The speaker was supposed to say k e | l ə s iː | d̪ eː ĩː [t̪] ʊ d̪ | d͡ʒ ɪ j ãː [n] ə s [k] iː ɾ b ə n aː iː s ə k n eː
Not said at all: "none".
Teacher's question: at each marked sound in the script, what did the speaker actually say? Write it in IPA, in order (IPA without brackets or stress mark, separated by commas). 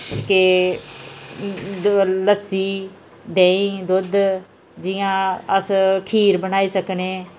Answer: d̪, none, kʰ